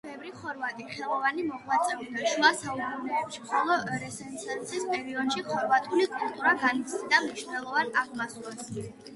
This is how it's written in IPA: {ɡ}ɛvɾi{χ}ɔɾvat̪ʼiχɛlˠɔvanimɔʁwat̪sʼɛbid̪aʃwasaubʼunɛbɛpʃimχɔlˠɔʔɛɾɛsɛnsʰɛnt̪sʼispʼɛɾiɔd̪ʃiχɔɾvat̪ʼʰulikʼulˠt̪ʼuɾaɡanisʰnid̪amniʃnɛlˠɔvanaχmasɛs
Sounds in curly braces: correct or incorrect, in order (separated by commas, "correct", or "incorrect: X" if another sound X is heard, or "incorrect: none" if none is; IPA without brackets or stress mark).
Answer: incorrect: b, correct